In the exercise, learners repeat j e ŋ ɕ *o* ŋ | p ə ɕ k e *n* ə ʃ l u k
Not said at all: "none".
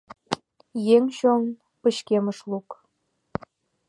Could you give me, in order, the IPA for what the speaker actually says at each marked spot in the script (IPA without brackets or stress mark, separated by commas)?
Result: o, m